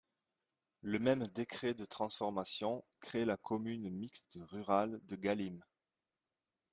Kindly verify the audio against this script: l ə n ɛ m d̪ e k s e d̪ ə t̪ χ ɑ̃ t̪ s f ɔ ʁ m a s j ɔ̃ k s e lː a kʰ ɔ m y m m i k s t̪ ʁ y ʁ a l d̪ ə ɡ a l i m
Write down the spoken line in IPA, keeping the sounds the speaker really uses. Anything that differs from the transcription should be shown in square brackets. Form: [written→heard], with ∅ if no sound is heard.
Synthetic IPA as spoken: l ə [n→m] ɛ m d̪ e k [s→χ] e d̪ ə t̪ χ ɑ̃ [t̪→∅] s f ɔ ʁ m a s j ɔ̃ k [s→χ] e [lː→l] a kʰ ɔ m y [m→n] m i k s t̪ ʁ y ʁ a l d̪ ə ɡ a l i m